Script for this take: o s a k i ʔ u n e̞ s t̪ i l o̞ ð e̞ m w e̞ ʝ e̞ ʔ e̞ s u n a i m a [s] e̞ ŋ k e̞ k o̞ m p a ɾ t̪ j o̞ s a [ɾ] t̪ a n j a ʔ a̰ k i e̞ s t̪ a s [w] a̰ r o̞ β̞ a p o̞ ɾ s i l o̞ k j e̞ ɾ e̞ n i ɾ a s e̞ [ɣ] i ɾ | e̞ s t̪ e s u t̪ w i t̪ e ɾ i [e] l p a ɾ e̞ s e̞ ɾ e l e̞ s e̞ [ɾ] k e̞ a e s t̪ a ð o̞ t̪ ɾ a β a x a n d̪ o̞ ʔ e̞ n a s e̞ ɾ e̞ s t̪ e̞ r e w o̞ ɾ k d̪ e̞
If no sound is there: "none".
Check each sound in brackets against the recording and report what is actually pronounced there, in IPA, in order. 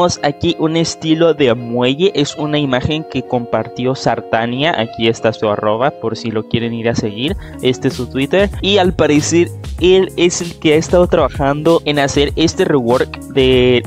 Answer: x, ɾ, u, ɣ, a, l

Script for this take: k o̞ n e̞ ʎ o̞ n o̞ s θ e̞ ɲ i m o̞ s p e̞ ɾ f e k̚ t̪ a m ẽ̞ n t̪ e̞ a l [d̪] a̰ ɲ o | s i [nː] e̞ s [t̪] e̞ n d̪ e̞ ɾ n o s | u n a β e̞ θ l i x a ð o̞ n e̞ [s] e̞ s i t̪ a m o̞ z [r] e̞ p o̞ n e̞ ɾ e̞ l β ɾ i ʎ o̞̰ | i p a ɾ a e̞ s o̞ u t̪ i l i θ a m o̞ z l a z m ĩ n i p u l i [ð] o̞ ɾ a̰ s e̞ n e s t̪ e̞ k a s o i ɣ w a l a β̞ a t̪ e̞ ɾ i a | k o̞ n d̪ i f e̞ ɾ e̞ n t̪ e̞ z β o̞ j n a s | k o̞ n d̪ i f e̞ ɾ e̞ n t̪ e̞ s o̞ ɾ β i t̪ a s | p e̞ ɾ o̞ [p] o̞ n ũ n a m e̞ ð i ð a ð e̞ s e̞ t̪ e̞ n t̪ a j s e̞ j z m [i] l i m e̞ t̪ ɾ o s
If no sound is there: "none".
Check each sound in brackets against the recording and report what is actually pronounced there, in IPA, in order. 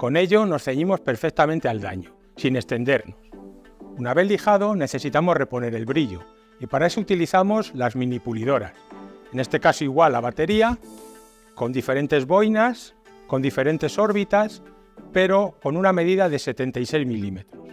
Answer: d̪, n, t̪, θ, r, ð, k, i

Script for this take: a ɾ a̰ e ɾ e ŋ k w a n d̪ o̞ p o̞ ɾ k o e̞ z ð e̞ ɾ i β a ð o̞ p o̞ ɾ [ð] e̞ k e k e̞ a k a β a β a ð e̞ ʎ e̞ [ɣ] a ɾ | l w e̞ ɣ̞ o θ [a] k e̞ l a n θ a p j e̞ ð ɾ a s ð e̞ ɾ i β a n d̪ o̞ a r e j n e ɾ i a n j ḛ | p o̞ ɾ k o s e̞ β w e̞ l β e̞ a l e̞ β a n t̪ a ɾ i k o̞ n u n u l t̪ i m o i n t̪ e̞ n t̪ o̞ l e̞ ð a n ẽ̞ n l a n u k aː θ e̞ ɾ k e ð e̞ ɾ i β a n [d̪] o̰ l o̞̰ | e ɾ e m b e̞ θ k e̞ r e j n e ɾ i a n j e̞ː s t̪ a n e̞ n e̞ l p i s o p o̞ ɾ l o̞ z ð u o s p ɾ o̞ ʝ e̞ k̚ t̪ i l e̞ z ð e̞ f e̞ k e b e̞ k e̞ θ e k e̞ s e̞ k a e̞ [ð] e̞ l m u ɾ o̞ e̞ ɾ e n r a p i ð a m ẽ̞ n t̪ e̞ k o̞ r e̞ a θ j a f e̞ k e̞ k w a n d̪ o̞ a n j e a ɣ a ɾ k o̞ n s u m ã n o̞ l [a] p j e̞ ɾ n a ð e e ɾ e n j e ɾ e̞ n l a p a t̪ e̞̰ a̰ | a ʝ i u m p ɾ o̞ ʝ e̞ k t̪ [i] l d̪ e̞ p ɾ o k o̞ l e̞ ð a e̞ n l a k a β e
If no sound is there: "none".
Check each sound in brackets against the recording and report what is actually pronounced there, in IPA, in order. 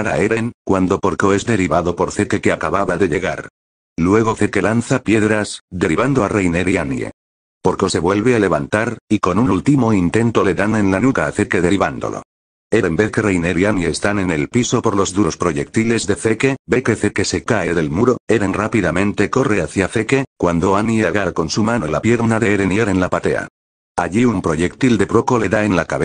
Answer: θ, ɣ, e, d̪, ð, a, i

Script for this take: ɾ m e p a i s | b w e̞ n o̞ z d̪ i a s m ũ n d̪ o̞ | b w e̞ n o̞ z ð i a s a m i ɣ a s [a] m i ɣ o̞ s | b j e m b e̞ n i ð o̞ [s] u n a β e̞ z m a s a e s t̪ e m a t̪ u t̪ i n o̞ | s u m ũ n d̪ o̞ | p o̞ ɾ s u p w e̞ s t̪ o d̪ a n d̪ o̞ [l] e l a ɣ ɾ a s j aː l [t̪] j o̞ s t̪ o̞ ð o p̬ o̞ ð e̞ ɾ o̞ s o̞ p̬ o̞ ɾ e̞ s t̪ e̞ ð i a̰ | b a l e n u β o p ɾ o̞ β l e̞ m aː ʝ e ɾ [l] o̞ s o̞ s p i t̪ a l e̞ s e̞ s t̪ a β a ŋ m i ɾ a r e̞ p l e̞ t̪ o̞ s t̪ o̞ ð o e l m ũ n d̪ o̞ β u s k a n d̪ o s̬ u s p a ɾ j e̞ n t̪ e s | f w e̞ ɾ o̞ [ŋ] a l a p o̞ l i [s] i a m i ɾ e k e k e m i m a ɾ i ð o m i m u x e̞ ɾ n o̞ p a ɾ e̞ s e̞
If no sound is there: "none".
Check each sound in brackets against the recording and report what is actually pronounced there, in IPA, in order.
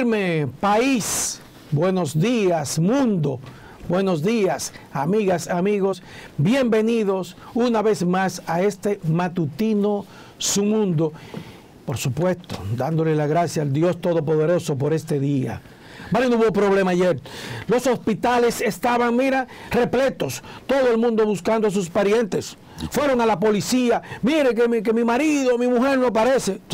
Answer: a, s, l, d̪, l, ŋ, s

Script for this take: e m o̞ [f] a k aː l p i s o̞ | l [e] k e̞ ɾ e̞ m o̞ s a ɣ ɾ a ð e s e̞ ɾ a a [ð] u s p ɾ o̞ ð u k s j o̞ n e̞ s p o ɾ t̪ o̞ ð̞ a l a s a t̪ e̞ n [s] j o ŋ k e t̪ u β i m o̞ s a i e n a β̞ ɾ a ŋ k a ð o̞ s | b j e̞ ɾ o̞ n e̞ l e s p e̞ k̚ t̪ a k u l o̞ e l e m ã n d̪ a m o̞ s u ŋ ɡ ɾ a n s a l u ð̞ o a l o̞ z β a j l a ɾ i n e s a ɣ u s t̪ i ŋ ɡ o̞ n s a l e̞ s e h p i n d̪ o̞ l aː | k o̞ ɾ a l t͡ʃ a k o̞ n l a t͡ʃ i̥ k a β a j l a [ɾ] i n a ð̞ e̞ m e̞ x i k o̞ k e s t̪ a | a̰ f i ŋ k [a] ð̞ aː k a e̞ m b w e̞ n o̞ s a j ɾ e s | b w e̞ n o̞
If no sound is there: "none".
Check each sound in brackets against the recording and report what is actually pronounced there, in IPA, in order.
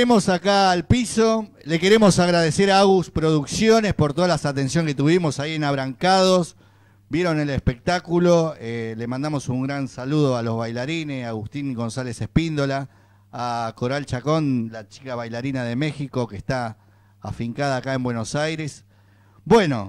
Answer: s, e, ɣ, s, ɾ, a

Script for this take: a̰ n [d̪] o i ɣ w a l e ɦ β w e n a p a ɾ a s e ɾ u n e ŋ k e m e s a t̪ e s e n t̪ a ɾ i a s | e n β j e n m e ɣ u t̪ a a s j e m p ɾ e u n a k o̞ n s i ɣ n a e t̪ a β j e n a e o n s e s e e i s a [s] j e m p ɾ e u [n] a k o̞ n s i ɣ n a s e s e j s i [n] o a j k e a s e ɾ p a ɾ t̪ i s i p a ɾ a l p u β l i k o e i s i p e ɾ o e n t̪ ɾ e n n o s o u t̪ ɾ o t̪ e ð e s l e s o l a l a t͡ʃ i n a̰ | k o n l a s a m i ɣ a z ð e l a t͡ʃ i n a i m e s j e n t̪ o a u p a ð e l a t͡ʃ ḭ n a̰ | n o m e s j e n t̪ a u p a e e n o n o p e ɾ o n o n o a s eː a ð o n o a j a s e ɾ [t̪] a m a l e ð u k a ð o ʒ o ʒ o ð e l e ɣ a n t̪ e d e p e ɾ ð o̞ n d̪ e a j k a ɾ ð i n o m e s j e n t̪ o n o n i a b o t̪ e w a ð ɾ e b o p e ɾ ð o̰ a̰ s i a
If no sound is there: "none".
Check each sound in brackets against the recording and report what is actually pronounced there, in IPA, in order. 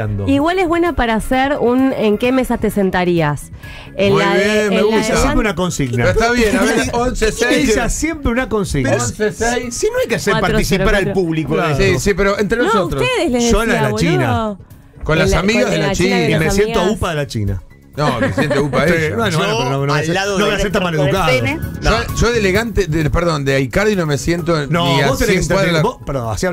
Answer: d̪, s, n, n, t̪

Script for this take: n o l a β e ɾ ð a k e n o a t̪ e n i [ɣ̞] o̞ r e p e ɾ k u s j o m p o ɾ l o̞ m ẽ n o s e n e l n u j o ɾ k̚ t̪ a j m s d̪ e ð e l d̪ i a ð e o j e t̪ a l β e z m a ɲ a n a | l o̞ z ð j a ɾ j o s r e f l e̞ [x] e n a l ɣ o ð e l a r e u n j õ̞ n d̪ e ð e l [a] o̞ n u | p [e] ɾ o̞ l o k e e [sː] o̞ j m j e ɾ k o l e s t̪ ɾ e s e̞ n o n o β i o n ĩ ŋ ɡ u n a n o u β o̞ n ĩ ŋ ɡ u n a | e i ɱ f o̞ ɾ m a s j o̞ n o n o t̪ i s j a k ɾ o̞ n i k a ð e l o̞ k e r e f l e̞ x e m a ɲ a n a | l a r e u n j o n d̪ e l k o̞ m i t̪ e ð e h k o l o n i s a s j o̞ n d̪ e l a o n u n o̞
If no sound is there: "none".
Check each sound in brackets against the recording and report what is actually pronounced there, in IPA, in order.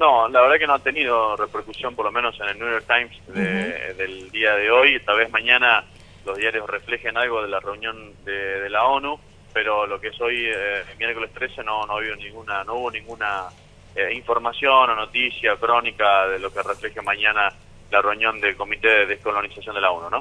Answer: ð̞, x, a, e, s

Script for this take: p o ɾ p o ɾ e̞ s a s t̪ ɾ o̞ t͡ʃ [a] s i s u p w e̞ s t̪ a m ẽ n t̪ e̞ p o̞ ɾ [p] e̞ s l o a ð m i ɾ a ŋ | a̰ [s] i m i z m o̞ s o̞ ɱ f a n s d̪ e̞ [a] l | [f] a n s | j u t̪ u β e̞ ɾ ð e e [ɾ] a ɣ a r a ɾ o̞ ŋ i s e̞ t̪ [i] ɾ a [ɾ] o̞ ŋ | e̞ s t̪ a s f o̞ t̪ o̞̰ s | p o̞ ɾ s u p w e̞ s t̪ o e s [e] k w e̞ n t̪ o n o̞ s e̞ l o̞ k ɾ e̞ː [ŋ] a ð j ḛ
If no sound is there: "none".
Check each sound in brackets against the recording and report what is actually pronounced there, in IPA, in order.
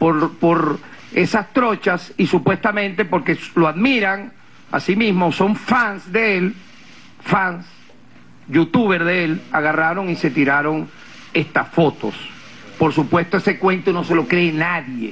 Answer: a, k, s, e, f, l, i, ɾ, e, n

